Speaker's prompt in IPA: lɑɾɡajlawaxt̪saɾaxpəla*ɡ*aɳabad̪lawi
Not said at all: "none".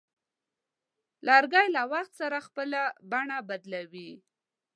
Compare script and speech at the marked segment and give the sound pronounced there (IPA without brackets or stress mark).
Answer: b